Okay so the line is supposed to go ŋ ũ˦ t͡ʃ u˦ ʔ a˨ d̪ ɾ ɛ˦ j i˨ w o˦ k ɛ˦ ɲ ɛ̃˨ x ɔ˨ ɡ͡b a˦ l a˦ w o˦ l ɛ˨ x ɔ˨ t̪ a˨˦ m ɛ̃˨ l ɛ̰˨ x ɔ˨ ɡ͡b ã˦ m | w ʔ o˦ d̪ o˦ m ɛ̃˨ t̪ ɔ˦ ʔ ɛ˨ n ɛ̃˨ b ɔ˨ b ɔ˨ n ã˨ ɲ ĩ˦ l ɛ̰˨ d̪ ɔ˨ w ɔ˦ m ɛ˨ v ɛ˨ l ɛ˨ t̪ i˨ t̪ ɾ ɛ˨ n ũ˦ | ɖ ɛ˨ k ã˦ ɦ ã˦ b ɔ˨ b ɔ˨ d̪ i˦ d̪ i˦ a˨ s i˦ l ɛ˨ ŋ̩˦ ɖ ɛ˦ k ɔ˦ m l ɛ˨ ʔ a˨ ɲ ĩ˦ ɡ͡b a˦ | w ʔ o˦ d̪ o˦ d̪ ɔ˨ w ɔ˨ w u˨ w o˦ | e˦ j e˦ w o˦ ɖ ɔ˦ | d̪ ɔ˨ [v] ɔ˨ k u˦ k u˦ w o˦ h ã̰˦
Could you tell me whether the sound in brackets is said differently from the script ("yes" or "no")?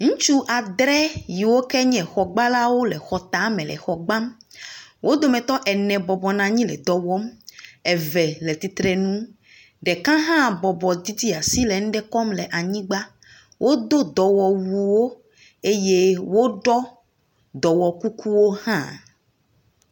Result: yes